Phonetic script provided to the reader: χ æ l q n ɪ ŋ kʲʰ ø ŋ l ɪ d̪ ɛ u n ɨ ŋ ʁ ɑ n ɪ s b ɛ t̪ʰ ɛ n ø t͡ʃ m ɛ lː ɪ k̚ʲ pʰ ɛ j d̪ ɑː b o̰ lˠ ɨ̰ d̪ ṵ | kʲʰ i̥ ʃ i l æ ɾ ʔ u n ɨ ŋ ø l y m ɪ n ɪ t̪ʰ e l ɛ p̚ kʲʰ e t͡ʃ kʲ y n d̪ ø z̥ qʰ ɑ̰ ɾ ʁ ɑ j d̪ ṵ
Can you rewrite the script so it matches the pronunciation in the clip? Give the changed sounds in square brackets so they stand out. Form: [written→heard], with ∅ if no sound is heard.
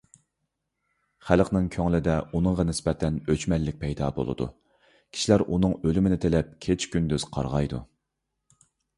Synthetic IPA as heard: χ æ l q n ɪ ŋ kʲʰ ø ŋ l ɪ d̪ ɛ u n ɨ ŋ ʁ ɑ n ɪ s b ɛ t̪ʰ ɛ n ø t͡ʃ m ɛ lː ɪ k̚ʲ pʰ ɛ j d̪ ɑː b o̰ lˠ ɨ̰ d̪ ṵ | kʲʰ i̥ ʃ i l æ ɾ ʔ u n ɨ ŋ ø l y m ɪ n ɪ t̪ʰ e l ɛ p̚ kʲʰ e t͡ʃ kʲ y n d̪ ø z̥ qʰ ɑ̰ ɾ ʁ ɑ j d̪ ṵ

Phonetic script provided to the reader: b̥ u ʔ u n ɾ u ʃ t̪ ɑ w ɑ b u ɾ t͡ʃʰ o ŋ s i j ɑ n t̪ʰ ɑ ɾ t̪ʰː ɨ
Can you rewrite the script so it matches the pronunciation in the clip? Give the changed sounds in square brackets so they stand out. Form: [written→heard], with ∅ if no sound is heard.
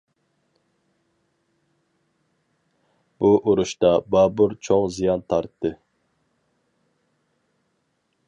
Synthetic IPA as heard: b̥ u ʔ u [n→∅] ɾ u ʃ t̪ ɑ [w→b] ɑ b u ɾ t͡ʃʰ o ŋ [s→z] i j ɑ n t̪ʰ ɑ ɾ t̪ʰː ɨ

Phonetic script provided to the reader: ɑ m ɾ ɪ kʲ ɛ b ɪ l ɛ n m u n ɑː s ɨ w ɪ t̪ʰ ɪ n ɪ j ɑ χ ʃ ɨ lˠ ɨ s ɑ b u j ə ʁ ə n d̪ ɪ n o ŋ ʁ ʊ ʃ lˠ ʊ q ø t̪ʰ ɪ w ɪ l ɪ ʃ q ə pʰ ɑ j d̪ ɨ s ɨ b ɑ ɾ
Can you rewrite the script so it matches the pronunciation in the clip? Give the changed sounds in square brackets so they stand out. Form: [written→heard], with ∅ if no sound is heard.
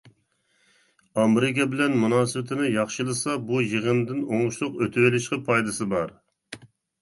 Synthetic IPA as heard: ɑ m ɾ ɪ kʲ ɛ b ɪ l ɛ n m u n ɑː s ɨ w ɪ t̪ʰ ɪ n ɪ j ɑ χ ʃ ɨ lˠ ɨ s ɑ b u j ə ʁ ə n d̪ ɪ n o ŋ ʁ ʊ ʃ lˠ ʊ q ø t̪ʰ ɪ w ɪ l ɪ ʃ q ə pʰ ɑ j d̪ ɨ s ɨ b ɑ ɾ

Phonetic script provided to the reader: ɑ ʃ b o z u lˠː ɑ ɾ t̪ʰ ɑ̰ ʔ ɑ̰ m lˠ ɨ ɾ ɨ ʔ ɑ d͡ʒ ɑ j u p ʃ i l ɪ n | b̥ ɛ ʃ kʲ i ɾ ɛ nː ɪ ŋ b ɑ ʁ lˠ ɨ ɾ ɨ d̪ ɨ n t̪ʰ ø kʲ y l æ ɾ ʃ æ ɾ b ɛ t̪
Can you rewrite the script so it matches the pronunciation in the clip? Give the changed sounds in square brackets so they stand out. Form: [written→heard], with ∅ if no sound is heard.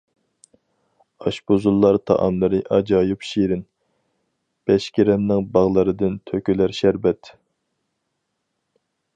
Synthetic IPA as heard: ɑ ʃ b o z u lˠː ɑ ɾ t̪ʰ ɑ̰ ʔ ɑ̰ m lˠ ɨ ɾ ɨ ʔ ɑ d͡ʒ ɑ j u p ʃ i [l→ɾ] ɪ n | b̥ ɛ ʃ kʲ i ɾ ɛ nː ɪ ŋ b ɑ ʁ lˠ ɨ ɾ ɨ d̪ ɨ n t̪ʰ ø kʲ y l æ ɾ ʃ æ ɾ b ɛ t̪

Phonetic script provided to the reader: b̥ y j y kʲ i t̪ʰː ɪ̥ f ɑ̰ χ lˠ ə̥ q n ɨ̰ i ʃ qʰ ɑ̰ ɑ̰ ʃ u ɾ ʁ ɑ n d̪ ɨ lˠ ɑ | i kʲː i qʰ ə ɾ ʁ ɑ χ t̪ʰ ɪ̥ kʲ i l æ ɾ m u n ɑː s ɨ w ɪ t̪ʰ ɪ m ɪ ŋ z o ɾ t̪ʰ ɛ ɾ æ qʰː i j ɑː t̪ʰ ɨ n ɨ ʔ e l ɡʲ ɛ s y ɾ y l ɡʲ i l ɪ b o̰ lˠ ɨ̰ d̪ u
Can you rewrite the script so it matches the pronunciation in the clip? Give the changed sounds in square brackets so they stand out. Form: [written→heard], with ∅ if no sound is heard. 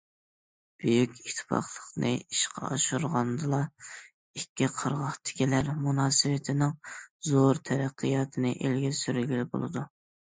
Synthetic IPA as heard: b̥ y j y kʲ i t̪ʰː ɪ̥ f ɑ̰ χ lˠ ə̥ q n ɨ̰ i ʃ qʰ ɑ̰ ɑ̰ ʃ u ɾ ʁ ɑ n d̪ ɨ lˠ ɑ | i kʲː i qʰ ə ɾ ʁ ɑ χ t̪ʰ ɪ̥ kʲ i l æ ɾ m u n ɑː s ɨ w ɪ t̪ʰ ɪ [m→n] ɪ ŋ z o ɾ t̪ʰ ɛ ɾ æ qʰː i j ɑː t̪ʰ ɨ n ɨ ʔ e l ɡʲ ɛ s y ɾ y l ɡʲ i l ɪ b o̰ lˠ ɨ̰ d̪ u

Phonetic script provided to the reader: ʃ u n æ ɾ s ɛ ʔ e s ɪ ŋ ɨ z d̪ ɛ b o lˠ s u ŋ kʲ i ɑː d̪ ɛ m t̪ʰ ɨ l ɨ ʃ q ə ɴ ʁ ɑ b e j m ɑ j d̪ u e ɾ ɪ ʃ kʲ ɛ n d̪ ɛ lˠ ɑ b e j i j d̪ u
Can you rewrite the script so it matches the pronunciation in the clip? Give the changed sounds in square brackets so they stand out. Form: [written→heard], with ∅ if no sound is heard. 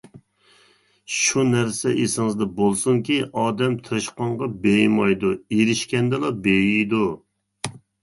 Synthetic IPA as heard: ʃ u n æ ɾ s ɛ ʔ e s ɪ ŋ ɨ z d̪ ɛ b o lˠ s u ŋ kʲ i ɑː d̪ ɛ m t̪ʰ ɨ [l→ɾ] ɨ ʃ q [ə→ɑ] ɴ ʁ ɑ b e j m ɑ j d̪ u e ɾ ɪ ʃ kʲ ɛ n d̪ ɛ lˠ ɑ b e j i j d̪ u

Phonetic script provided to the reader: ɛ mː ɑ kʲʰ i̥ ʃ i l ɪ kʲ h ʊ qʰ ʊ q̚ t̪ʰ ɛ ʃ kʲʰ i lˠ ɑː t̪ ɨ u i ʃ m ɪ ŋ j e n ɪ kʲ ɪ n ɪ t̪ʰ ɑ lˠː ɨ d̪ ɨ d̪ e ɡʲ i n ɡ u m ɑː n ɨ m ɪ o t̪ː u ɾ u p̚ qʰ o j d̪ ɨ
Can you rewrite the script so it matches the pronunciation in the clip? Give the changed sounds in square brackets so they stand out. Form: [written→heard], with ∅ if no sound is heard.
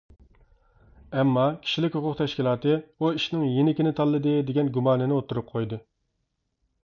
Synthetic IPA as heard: ɛ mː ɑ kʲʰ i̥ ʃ i l ɪ kʲ h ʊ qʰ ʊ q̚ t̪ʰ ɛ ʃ [kʲʰ→kʲ] i lˠ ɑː t̪ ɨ u i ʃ [m→n] ɪ ŋ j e n ɪ kʲ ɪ n ɪ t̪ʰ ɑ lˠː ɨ d̪ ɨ d̪ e ɡʲ [i→ɛ] n ɡ u m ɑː n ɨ [m→n] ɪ o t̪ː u ɾ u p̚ qʰ o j d̪ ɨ

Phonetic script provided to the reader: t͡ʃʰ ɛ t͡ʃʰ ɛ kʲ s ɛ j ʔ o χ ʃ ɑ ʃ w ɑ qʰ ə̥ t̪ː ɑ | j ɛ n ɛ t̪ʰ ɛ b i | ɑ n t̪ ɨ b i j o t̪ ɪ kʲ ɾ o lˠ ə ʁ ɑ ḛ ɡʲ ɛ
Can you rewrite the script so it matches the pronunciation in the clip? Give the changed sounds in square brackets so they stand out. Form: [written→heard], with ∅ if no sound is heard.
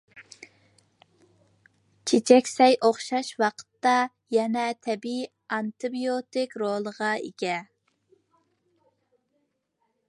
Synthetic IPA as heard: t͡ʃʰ [ɛ→e] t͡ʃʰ ɛ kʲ s ɛ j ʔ o χ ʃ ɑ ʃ w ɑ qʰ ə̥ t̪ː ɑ | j ɛ n ɛ t̪ʰ ɛ b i | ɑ n t̪ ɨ b i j o t̪ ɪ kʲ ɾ o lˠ ə ʁ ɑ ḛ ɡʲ ɛ

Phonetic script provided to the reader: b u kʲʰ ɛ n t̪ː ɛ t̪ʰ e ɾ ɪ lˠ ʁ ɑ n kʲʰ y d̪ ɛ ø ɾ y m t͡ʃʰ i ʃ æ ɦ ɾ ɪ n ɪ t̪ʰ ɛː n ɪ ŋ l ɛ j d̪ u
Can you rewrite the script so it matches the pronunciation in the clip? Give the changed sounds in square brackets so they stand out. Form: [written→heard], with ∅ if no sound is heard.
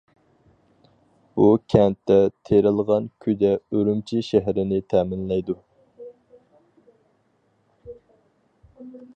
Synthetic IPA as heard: b u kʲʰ ɛ n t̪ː ɛ t̪ʰ e ɾ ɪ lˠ ʁ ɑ n kʲʰ y d̪ ɛ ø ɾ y m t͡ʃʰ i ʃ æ ɦ ɾ ɪ n ɪ t̪ʰ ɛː [n→m] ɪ [ŋ→n] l ɛ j d̪ u

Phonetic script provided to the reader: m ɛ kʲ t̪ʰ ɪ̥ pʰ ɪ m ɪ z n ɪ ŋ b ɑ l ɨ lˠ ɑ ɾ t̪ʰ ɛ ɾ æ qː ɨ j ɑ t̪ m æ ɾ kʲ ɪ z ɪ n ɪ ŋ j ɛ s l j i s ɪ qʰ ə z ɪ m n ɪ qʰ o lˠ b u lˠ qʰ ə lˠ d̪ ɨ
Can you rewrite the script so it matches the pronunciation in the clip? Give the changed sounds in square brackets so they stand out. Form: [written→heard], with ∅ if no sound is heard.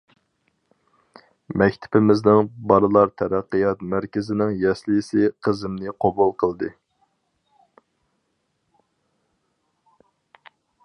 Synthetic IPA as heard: m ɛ kʲ t̪ʰ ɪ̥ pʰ ɪ m ɪ z n ɪ ŋ b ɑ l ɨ lˠ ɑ ɾ t̪ʰ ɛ ɾ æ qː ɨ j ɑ t̪ m æ ɾ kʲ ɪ z ɪ n ɪ ŋ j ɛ s l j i s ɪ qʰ ə z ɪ m n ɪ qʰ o [lˠ→∅] b u lˠ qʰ ə lˠ d̪ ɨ

